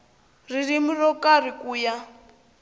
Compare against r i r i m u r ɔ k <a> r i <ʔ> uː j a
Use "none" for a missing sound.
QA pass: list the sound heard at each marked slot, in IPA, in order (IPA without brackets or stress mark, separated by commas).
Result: a, k